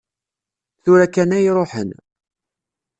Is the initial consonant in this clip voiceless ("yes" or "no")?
yes